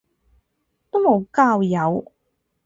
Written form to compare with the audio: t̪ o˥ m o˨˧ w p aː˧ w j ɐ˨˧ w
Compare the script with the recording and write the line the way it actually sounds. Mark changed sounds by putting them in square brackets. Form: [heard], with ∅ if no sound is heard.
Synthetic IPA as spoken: t̪ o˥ m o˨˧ w [k] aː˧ w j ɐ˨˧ w